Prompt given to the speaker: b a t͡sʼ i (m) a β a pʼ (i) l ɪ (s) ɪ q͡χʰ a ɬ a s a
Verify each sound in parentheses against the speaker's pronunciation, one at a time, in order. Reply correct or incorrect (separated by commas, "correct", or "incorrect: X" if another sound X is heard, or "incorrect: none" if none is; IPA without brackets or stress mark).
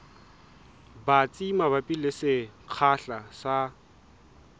correct, correct, correct